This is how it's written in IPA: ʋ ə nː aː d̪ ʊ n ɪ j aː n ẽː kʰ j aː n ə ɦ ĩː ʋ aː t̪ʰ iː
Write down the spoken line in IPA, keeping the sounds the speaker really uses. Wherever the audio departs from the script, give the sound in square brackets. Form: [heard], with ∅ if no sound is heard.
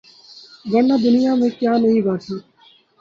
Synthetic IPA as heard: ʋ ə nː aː d̪ ʊ n ɪ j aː [m] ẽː [k] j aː n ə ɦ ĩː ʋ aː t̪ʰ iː

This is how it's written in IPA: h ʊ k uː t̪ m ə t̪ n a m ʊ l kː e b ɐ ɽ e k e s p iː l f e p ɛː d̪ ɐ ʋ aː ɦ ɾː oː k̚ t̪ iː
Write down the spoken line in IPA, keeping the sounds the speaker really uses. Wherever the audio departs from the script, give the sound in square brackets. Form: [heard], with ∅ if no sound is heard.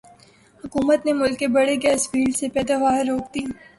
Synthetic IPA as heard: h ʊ k uː [∅] m ə t̪ n [e] m ʊ l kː e b ɐ ɽ e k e s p iː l [s] e p ɛː d̪ [a] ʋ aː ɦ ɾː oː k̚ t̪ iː

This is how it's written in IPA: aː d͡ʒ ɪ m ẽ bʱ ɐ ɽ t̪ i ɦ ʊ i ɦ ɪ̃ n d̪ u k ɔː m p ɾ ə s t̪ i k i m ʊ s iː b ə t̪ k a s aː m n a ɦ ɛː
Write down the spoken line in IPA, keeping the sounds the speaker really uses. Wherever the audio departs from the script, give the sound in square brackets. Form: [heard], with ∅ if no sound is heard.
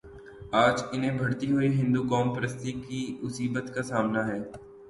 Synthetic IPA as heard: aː d͡ʒ ɪ [n] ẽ bʱ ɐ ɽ t̪ i ɦ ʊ i ɦ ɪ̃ n d̪ u k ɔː m p ɾ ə s t̪ i k i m ʊ s iː b ə t̪ k a s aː m n a ɦ ɛː

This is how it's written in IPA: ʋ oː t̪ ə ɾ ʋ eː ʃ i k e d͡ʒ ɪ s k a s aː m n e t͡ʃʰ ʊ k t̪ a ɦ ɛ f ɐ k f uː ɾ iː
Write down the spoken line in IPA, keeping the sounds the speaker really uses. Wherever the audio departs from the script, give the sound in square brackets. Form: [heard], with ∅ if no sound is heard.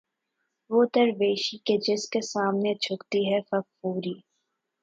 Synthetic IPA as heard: ʋ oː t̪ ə ɾ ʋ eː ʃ i k e d͡ʒ ɪ s k [e] s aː m n e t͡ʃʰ ʊ k t̪ [i] ɦ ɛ f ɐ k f uː ɾ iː

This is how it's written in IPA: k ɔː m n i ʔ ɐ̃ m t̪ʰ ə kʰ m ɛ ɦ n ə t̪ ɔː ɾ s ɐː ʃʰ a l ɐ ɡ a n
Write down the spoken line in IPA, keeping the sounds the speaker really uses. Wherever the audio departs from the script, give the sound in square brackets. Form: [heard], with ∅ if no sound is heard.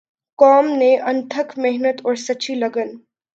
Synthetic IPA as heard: k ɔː m n [e] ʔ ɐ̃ [n] t̪ʰ ə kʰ m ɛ ɦ n ə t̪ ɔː ɾ s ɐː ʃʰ [i] l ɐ ɡ [ə] n

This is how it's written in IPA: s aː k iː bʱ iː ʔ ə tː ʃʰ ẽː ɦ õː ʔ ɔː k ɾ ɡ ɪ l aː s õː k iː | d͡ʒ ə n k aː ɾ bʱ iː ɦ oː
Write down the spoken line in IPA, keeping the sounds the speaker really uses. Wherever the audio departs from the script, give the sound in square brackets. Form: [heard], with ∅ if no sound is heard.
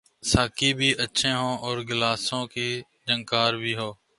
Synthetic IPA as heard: s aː k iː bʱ iː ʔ ə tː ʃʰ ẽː ɦ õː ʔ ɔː [∅] ɾ ɡ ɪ l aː s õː k iː | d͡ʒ ə [ŋ] k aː ɾ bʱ iː ɦ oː

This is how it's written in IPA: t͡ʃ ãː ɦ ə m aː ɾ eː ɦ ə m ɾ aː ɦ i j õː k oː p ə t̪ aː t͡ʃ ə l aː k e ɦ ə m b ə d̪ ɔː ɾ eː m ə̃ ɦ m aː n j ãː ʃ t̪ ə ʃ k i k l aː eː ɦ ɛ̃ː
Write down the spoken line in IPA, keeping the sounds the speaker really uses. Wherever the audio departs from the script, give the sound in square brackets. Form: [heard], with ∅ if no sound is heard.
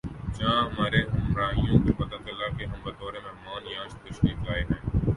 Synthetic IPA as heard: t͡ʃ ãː ɦ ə m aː ɾ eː ɦ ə m ɾ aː ɦ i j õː k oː p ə t̪ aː t͡ʃ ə l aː k e ɦ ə m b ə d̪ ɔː ɾ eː m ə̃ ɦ m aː n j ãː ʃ t̪ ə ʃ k [iː] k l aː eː ɦ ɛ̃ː

